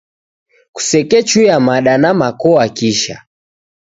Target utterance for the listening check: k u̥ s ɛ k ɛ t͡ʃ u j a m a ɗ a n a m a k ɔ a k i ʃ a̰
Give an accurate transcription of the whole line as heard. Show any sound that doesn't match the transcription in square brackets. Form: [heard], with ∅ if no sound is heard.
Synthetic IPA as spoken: k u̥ s ɛ k ɛ t͡ʃ u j a m a ɗ a n a m a k ɔ a k i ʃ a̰